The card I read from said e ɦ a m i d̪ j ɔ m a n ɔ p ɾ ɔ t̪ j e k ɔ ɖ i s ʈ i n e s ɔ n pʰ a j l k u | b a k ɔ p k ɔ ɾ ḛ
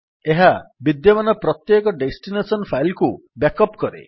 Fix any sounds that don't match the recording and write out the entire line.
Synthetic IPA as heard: e ɦ a b i d̪ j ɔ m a n ɔ p ɾ ɔ t̪ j e k ɔ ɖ e s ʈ i n e s ɔ n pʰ a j l k u | b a k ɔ p k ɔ ɾ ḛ